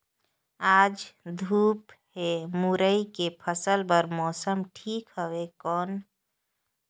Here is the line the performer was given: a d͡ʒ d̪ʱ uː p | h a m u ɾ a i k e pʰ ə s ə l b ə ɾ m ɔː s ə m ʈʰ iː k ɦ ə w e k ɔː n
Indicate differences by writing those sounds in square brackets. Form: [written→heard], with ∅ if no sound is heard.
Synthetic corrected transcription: a d͡ʒ d̪ʱ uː p | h [a→e] m u ɾ [a→ə] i k e pʰ ə s ə l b ə ɾ m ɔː s ə m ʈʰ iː k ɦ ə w e k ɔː n